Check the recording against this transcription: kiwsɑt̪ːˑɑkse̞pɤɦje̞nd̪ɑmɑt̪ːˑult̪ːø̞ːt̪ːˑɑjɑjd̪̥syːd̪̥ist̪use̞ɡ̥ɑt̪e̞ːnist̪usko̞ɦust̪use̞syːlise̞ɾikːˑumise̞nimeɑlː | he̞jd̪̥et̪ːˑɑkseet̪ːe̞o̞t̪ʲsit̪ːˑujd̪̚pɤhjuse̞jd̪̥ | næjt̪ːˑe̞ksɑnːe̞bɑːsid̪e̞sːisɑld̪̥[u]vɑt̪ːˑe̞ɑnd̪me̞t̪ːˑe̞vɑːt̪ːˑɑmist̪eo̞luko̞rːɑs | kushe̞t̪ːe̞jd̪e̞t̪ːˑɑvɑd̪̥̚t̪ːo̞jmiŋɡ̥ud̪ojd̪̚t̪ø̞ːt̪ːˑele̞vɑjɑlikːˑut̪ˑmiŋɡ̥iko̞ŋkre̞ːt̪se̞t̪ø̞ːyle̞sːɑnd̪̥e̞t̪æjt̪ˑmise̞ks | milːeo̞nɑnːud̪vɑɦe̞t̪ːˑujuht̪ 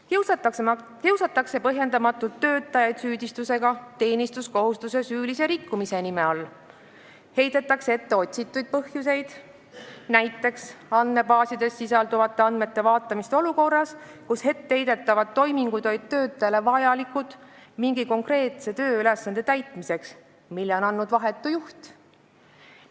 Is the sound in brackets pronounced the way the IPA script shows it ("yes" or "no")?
yes